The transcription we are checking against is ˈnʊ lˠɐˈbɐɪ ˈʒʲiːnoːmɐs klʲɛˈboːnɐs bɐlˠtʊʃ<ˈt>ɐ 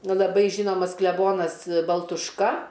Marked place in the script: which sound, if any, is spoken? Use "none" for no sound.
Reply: k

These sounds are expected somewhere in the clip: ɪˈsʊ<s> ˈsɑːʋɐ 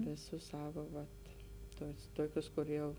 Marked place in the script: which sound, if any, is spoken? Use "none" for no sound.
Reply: s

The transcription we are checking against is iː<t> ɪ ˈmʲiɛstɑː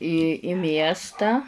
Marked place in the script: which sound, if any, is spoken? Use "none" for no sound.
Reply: none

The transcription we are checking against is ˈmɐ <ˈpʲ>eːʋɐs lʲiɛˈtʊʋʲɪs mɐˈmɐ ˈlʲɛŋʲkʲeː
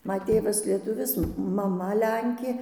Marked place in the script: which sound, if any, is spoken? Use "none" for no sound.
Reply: tʲ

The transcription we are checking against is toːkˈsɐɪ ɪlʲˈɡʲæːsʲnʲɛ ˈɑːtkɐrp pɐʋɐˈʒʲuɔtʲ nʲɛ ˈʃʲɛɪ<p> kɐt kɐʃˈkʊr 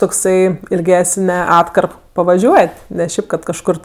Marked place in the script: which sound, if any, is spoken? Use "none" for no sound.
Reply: p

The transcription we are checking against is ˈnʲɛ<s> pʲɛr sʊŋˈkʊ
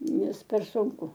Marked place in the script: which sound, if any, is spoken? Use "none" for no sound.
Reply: s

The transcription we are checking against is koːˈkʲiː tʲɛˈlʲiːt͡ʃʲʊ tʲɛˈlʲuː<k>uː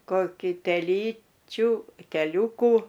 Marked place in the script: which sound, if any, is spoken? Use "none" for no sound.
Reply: k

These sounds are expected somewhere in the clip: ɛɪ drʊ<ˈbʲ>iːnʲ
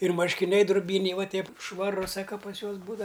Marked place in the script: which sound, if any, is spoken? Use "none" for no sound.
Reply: bʲ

